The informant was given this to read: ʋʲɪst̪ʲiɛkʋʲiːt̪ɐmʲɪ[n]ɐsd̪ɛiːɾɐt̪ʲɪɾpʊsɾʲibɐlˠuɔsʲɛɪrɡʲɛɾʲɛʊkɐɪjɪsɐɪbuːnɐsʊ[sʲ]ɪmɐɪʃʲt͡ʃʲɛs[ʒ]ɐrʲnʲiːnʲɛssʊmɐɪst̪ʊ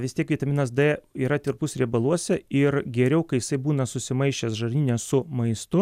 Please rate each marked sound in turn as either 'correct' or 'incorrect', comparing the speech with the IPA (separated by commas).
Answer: correct, correct, correct